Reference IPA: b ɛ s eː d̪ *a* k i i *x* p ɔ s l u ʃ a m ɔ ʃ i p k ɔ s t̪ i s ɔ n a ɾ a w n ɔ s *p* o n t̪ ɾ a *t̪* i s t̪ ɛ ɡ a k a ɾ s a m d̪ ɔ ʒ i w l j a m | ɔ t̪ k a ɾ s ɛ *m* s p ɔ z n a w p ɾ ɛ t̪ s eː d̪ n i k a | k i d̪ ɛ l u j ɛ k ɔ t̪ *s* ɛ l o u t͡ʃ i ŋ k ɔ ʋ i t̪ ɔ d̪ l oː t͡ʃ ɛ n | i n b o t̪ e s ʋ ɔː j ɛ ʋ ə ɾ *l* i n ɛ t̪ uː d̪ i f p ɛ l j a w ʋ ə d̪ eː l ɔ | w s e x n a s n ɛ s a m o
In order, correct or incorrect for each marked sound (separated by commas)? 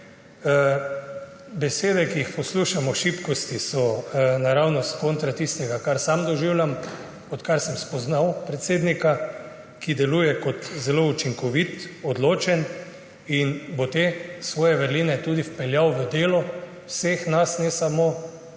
incorrect, correct, incorrect, correct, correct, incorrect, correct